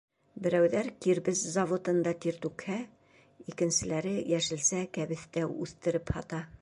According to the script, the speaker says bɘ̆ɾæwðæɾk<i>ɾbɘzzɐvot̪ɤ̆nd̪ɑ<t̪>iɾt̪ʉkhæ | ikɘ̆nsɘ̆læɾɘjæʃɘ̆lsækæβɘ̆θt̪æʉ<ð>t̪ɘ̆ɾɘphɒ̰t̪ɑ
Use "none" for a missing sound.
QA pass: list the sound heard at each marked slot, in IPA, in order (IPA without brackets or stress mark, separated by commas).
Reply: i, t̪, θ